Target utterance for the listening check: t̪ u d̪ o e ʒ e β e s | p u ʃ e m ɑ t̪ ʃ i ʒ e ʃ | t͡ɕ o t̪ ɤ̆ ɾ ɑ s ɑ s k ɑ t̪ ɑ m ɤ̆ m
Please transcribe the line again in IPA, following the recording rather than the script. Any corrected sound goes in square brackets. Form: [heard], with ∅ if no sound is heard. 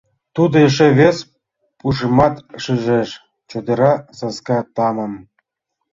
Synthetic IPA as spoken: t̪ u d̪ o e [ʃ] e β e s | p u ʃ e m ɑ t̪ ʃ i ʒ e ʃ | t͡ɕ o [d̪] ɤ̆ ɾ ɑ s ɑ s k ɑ t̪ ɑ m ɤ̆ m